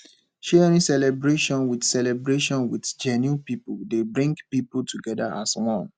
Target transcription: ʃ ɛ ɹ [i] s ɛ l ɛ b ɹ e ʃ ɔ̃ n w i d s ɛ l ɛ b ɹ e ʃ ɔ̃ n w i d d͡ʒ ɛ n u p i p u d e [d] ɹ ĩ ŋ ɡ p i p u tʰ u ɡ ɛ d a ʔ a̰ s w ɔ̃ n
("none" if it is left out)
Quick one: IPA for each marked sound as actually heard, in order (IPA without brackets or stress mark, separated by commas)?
ĩ, b